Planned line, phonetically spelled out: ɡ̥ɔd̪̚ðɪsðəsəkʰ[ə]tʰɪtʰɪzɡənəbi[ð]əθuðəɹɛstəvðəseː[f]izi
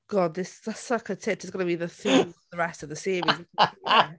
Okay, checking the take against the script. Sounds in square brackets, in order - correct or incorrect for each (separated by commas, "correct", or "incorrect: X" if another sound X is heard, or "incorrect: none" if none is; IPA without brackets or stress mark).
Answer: correct, correct, incorrect: v